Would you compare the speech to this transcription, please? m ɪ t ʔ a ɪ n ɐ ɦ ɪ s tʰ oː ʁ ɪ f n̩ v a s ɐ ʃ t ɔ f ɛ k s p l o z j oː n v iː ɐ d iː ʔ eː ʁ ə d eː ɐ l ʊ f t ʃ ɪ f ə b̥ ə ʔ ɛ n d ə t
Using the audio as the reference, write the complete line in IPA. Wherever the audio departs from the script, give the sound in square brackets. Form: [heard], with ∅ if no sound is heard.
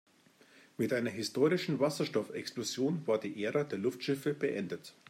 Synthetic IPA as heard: m ɪ t ʔ a ɪ n ɐ ɦ ɪ s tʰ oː ʁ ɪ [ʃ] n̩ v a s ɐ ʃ t ɔ f ɛ k s p l o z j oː n v [aː] ɐ d iː ʔ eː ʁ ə d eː ɐ l ʊ f t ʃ ɪ f ə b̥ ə ʔ ɛ n d ə t